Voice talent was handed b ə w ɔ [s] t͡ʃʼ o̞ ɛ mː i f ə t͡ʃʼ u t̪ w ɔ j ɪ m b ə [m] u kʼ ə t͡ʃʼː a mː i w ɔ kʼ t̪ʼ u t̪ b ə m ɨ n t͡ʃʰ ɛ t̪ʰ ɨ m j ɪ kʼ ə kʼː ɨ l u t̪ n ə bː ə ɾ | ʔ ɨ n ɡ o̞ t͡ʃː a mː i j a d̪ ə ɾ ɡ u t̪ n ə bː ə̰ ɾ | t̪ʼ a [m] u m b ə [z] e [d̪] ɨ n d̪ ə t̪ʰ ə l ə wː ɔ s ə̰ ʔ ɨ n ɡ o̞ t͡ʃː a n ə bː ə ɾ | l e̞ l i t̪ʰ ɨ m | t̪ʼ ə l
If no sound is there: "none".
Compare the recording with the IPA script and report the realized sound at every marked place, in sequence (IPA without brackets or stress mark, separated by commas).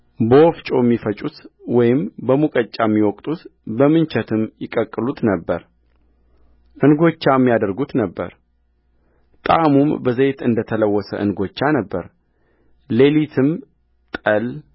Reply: f, m, m, z, t̪